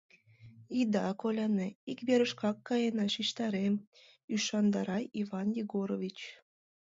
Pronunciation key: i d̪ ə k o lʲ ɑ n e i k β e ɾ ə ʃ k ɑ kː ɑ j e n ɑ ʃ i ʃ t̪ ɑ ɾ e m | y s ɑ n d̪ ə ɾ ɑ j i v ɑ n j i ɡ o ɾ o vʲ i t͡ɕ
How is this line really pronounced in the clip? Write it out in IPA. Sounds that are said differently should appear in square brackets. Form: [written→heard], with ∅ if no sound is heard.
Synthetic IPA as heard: i d̪ [ə→ɑ] k o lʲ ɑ n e i k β e ɾ ə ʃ k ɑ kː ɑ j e n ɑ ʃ i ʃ t̪ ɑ ɾ e m | y [s→ʃ] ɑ n d̪ [ə→ɑ] ɾ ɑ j i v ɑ n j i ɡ o ɾ o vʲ i t͡ɕ